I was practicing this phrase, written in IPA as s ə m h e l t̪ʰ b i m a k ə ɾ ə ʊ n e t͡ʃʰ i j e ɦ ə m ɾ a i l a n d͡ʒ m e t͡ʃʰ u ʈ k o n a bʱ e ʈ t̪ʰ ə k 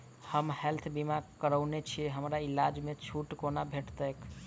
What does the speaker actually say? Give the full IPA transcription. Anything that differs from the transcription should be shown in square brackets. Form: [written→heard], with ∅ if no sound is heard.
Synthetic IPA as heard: [s→h] ə m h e l t̪ʰ b i m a k ə ɾ ə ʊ n e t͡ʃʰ i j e ɦ ə m ɾ a i l a [n→∅] d͡ʒ m e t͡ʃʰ u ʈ k o n a bʱ e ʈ [t̪ʰ→t̪] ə k